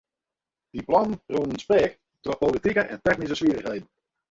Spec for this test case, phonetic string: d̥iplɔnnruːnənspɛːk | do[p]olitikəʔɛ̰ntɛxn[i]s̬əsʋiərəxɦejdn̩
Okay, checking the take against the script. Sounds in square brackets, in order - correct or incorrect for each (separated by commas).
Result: correct, correct